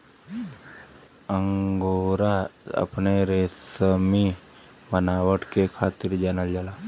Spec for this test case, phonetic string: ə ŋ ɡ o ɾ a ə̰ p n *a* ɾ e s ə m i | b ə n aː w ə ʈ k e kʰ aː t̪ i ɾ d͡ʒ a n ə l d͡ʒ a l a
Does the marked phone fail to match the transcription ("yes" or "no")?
yes